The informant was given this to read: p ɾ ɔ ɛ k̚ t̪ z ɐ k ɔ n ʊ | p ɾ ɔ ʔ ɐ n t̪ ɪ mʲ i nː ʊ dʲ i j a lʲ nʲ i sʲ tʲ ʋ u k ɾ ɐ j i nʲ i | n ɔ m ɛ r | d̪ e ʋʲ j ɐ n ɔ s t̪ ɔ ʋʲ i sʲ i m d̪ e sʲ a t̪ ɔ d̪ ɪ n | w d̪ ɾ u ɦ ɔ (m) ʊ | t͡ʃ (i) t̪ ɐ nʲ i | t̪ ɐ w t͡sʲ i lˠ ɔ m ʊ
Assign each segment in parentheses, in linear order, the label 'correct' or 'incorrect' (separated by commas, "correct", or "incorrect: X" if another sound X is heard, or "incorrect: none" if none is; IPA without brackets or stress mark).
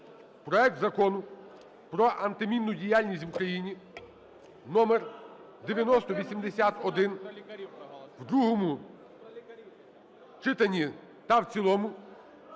correct, incorrect: ɪ